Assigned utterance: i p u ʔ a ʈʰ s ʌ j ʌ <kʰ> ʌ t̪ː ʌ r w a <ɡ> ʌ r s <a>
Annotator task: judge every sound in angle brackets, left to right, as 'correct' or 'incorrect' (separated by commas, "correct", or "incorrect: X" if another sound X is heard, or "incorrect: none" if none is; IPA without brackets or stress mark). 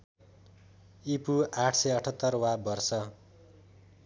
incorrect: ʈʰ, incorrect: b, incorrect: ʌ